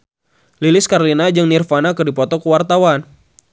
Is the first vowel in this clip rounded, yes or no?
no